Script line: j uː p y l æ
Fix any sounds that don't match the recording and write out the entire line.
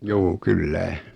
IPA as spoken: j uː k y lː æ